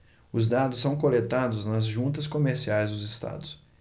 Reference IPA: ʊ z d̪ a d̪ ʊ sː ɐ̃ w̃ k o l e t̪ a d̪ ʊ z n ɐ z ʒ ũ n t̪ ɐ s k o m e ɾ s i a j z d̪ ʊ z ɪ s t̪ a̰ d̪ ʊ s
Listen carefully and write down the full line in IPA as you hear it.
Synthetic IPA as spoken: ʊ z d̪ a d̪ ʊ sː ɐ̃ w̃ k o l e t̪ a d̪ ʊ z n ɐ z ʒ ũ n t̪ ɐ s k o m e ɾ s i a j z d̪ ʊ z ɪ s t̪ a̰ d̪ ʊ s